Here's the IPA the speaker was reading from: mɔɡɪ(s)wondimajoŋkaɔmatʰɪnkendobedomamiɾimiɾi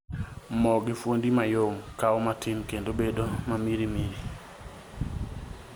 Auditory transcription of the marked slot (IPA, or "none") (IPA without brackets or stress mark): f